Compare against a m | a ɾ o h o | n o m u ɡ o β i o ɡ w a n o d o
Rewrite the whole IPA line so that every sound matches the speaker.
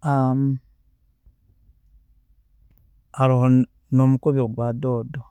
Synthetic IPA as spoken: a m | a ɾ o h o | n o m u k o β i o ɡ w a d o d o